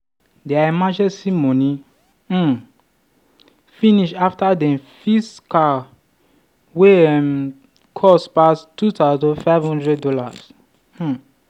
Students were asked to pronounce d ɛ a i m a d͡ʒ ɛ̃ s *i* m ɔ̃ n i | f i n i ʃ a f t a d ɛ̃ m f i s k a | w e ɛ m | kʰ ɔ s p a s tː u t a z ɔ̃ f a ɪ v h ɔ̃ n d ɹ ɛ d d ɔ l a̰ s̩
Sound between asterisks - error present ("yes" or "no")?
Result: no